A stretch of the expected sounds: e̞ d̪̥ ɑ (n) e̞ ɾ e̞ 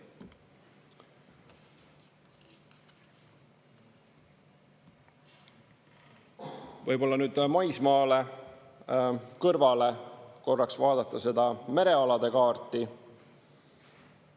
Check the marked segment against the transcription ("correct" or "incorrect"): incorrect